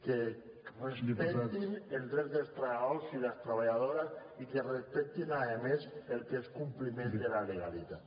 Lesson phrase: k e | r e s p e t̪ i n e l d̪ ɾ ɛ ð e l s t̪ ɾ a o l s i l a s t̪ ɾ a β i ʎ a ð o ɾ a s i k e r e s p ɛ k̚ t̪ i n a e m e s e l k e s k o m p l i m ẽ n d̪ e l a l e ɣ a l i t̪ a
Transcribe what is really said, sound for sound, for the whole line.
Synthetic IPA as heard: k e | r e s p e t̪ i n e l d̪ ɾ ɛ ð e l s t̪ ɾ a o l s i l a s t̪ ɾ a β a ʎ a ð o ɾ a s i k e r e s p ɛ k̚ t̪ i n a e m e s e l k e s k u m p l i m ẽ n d̪ e l a l e ɣ a l i t̪ a